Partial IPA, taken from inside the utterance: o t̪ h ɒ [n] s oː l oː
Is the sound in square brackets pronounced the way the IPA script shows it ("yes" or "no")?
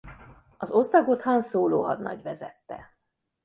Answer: yes